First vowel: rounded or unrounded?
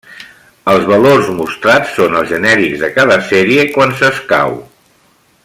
unrounded